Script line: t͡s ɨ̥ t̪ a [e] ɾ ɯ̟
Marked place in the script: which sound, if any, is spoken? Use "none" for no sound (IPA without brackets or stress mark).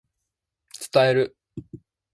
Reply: e